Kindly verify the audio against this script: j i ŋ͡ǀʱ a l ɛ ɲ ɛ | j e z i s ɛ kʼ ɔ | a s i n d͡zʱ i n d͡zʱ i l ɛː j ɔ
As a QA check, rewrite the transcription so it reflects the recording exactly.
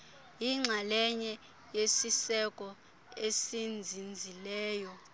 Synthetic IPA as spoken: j i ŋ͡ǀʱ a l ɛ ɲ ɛ | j e s i s ɛ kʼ ɔ | e s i n d͡zʱ i n d͡zʱ i l ɛː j ɔ